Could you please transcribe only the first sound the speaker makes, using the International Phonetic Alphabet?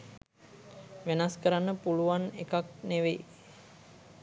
ʋ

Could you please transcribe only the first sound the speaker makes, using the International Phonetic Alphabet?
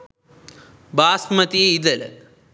b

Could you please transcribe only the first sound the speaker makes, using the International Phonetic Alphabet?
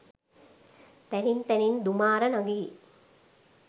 t̪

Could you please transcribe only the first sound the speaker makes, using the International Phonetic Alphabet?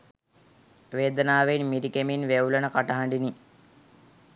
ʋ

